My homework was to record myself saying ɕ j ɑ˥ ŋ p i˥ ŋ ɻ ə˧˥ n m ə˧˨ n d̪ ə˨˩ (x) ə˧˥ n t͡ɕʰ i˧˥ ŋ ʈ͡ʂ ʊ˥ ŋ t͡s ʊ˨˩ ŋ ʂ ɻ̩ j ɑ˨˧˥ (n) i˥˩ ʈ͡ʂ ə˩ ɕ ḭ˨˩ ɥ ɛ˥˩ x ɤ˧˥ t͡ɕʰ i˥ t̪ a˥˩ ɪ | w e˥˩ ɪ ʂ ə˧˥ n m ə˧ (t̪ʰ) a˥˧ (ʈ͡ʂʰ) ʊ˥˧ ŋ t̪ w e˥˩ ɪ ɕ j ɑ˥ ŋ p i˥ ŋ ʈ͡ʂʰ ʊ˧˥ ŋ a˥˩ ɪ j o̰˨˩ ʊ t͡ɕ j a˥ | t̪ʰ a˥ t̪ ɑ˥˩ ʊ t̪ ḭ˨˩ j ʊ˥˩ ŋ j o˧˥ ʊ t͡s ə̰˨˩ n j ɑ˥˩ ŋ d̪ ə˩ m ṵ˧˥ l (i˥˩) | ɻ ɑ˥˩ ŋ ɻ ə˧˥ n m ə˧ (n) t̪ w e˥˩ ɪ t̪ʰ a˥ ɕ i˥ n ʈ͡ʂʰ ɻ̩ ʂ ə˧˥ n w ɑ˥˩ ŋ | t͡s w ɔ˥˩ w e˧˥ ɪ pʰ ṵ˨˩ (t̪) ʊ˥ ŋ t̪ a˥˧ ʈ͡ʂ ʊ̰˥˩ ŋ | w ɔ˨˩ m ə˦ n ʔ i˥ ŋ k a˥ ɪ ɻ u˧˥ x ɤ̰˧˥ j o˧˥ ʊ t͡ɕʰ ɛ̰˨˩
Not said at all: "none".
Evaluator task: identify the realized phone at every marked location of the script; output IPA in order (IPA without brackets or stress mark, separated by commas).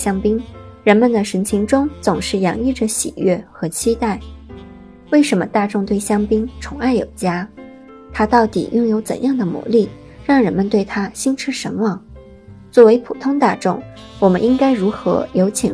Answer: ʂ, ŋ, t̪, ʈ͡ʂ, i˥˩, n, t̪ʰ